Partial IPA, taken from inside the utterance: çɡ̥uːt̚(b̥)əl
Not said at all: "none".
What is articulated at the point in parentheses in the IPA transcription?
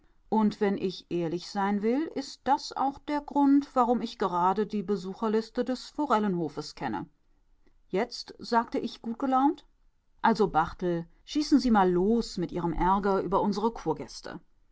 ɡ̥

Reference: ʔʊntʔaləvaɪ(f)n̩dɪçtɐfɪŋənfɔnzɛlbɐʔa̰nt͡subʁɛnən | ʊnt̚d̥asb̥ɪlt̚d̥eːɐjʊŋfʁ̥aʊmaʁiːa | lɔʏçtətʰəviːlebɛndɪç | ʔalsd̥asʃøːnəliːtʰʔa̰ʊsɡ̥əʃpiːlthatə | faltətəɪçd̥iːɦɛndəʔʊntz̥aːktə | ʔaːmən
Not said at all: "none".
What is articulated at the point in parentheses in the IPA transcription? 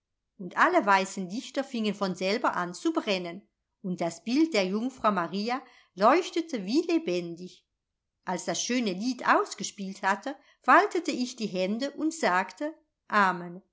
s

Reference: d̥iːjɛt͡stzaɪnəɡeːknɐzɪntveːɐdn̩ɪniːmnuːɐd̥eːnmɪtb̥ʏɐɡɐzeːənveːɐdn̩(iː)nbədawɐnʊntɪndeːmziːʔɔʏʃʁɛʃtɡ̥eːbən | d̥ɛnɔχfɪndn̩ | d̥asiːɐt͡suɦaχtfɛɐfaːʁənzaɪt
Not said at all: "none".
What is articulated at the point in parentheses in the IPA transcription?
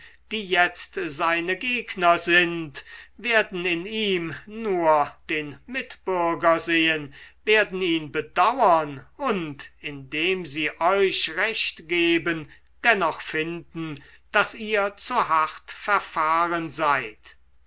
iː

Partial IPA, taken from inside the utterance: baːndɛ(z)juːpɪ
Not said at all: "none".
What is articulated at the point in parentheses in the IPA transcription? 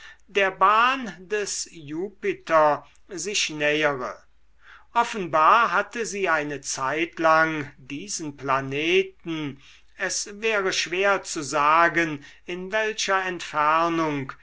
s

